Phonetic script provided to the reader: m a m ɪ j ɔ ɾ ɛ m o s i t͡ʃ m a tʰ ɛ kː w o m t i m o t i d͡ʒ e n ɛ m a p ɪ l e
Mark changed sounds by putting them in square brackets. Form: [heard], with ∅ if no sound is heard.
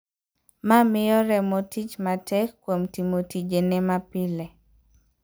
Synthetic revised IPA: m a m ɪ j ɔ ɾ ɛ m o [t] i t͡ʃ m a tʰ ɛ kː w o m t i m o t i d͡ʒ e n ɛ m a p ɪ l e